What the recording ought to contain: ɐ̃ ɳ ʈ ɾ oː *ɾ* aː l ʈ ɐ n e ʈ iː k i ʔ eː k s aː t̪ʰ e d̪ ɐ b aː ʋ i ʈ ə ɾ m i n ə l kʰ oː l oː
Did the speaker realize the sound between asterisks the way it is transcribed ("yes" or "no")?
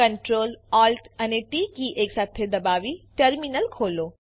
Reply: no